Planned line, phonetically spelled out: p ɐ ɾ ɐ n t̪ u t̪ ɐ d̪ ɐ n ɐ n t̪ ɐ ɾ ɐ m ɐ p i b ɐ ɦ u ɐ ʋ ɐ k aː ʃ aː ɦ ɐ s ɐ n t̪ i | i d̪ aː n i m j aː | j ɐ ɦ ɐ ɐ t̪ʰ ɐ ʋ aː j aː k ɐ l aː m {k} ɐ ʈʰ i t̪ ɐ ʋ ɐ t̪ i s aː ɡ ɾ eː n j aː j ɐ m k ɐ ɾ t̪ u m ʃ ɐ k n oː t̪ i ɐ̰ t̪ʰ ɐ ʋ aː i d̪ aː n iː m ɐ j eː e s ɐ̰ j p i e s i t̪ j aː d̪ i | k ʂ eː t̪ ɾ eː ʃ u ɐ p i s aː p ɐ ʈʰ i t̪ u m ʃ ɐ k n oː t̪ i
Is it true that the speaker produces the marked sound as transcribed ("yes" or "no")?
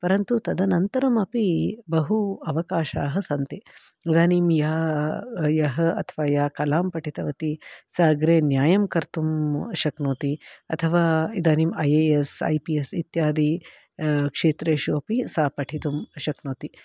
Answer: no